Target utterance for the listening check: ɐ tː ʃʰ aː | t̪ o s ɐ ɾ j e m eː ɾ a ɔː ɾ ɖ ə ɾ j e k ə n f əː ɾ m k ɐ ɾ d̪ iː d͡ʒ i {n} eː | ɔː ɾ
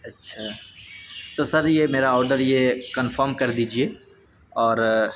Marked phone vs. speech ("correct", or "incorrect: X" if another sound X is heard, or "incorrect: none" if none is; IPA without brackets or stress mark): incorrect: none